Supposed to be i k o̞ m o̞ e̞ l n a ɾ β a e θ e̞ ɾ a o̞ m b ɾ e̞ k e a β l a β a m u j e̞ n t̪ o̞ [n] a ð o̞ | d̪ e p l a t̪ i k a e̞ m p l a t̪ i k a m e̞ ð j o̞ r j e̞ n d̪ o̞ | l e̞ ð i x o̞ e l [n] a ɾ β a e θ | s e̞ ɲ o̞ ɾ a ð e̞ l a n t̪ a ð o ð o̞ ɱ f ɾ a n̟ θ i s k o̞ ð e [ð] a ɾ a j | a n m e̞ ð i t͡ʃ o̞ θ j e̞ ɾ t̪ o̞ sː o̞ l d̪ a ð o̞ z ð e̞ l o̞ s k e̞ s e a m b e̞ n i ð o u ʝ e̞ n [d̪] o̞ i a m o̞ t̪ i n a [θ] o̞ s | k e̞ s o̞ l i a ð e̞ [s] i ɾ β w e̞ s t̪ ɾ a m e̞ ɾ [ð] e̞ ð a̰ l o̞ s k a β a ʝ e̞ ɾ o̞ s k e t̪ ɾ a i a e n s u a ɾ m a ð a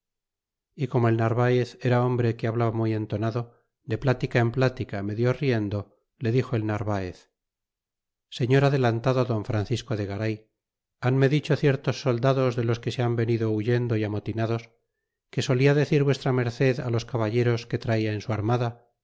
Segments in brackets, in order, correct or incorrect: correct, correct, incorrect, correct, incorrect, incorrect, incorrect

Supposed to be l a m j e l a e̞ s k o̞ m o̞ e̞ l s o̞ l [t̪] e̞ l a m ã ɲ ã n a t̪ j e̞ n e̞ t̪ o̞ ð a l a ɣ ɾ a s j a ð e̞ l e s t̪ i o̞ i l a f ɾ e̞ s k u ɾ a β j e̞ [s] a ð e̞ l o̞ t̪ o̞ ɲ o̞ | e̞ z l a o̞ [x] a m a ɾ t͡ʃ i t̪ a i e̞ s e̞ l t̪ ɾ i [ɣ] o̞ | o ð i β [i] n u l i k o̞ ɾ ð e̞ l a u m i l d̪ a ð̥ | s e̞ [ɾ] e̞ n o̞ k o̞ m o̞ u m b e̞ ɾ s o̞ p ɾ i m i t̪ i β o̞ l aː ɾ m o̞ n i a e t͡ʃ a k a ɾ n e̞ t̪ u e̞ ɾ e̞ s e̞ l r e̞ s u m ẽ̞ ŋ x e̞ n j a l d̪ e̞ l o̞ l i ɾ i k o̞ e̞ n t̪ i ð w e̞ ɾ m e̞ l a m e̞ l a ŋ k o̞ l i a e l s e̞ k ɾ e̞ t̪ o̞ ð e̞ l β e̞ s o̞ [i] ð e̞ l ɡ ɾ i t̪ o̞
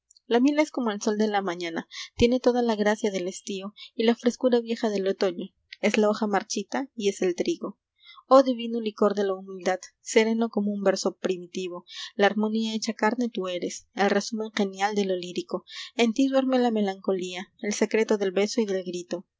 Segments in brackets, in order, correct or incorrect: incorrect, incorrect, correct, correct, correct, correct, correct

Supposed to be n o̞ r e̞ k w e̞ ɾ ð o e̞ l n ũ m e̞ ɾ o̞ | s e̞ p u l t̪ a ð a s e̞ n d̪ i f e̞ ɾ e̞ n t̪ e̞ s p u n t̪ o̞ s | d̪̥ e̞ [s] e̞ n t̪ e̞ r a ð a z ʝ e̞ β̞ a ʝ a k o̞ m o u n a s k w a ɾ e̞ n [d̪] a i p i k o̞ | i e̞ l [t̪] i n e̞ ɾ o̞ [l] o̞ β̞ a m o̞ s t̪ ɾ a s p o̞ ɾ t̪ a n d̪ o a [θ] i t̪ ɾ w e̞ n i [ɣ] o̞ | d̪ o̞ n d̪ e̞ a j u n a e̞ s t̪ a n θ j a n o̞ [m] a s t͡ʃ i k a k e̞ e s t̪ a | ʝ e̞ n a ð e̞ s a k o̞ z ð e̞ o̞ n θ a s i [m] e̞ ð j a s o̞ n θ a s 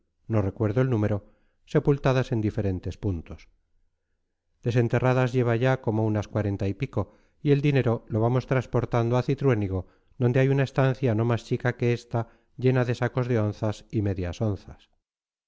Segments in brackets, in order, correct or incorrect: correct, incorrect, incorrect, correct, correct, correct, correct, correct

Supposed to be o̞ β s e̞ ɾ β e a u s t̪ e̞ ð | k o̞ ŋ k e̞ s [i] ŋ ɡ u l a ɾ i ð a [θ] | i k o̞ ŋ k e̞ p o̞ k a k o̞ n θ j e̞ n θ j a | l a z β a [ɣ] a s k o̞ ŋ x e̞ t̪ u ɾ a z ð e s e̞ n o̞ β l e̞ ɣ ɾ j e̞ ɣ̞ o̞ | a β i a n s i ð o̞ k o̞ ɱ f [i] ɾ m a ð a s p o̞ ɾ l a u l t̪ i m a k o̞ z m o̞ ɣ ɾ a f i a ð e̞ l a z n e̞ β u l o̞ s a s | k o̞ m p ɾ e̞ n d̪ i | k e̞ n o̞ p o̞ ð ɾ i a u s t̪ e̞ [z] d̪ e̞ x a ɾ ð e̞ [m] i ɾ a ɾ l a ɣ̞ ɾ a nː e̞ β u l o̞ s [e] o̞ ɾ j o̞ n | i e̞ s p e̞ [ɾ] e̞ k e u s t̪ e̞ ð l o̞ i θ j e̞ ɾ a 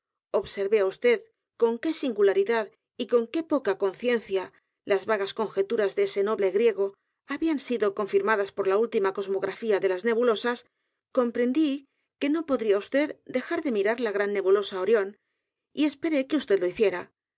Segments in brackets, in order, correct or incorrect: correct, incorrect, correct, correct, incorrect, correct, incorrect, correct

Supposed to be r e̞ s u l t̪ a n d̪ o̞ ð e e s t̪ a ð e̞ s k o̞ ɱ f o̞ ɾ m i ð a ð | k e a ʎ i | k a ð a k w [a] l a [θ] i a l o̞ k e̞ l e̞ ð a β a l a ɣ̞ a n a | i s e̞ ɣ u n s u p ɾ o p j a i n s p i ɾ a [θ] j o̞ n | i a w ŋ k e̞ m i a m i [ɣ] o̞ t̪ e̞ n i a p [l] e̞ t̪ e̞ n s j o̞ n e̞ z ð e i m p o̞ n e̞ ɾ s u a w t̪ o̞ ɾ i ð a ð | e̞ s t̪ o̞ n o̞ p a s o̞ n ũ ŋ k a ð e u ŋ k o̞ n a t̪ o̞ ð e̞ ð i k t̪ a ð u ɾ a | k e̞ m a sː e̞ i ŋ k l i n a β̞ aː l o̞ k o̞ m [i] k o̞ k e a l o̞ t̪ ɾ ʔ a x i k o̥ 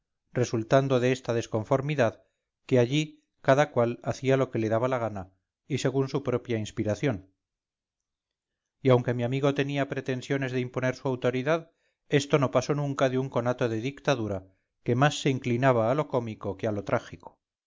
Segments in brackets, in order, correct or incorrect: correct, correct, correct, correct, incorrect, correct

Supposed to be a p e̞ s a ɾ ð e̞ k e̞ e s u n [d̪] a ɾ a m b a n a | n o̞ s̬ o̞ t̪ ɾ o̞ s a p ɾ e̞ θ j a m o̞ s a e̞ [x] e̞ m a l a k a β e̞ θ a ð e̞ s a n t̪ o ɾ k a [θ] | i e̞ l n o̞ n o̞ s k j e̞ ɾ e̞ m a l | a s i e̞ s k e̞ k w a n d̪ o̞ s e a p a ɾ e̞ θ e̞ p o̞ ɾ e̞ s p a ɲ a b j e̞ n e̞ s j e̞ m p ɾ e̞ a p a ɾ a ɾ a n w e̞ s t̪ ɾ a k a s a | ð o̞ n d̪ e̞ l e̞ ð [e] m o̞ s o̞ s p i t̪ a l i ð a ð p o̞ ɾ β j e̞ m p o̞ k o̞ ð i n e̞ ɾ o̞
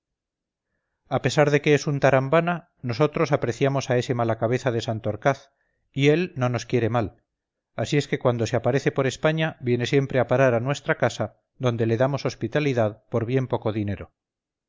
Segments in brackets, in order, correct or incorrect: incorrect, incorrect, correct, incorrect

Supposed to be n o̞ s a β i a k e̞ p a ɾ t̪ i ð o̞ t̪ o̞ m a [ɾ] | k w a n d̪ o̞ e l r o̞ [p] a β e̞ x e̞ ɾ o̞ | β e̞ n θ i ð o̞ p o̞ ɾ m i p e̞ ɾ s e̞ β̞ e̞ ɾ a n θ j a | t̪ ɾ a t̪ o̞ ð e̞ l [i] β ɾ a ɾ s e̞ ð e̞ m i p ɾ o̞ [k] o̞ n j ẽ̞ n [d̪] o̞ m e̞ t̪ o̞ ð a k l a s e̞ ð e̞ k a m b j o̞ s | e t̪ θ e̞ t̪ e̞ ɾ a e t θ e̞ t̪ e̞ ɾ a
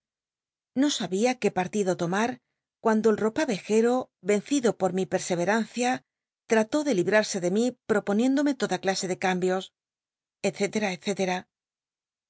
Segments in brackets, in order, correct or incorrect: correct, correct, correct, incorrect, correct

